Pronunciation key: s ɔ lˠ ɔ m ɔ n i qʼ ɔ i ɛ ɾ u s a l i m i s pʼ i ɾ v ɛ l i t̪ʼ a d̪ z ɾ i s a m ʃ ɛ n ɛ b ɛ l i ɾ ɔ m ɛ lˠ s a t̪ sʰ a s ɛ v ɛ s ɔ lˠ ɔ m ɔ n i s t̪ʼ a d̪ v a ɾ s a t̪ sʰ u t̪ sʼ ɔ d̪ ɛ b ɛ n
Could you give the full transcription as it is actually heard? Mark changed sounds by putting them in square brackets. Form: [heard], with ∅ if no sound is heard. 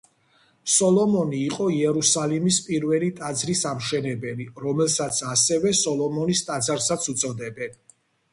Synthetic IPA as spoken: s ɔ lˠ ɔ m ɔ n [iː] qʼ ɔ i ɛ ɾ u s a l i m i s pʼ i ɾ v ɛ l i t̪ʼ a d̪ z ɾ i s a m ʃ ɛ n ɛ b ɛ l i ɾ ɔ m ɛ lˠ s a t̪ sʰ a s ɛ v ɛ s ɔ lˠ ɔ m ɔ n i s t̪ʼ a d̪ [z] a ɾ s a t̪ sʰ u t̪ sʼ ɔ d̪ ɛ b ɛ n